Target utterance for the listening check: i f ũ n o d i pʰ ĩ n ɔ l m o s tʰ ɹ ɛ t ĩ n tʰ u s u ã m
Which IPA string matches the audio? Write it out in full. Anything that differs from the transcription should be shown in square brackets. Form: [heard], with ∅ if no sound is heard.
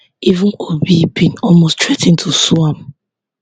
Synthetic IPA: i [v] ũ n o [b] i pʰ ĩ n ɔ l m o s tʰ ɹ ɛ t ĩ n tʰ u s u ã m